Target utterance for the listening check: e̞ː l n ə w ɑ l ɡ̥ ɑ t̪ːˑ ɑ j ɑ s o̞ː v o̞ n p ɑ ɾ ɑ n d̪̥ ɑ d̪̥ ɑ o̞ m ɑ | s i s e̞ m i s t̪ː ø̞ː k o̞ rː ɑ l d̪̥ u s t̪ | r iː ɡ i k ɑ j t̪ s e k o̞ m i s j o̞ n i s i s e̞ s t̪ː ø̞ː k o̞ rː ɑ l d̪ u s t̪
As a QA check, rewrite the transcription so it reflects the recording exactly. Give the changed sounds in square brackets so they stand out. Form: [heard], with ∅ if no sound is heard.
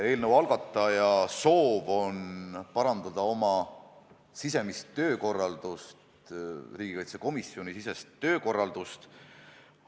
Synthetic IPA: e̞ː l n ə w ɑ l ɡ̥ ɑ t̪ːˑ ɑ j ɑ s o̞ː v o̞ n p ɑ ɾ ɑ n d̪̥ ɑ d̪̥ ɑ o̞ m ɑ | s i s e̞ m i s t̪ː ø̞ː k o̞ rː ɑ l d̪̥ u s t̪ | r iː ɡ i k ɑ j t̪ s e k o̞ m i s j o̞ n i s i s e̞ s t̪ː ø̞ː k o̞ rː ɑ l d̪ u s t̪